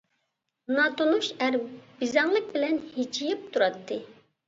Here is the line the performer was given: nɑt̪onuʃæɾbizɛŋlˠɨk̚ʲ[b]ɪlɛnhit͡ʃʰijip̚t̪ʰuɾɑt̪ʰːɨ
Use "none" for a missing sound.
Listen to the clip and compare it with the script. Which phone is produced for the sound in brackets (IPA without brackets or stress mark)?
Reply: b